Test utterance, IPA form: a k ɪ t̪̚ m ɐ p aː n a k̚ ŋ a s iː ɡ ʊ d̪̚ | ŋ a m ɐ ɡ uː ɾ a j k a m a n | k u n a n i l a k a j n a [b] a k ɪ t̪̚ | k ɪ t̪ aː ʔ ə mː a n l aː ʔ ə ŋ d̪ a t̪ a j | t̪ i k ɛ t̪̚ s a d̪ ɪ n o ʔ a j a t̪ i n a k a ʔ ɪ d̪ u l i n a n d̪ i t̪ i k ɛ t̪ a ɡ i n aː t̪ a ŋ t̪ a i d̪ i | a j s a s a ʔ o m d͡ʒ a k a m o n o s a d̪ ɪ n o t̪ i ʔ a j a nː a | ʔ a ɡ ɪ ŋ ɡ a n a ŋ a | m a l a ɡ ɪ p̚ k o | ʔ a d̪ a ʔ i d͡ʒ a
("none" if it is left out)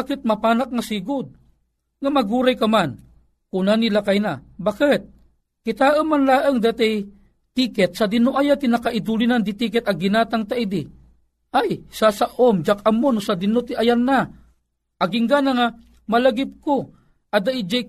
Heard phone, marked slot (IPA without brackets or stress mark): b